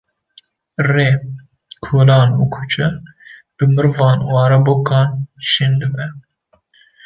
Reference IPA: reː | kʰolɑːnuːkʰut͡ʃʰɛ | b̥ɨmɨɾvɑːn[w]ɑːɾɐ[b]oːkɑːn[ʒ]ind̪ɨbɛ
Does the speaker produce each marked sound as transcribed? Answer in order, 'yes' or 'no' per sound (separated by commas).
yes, yes, no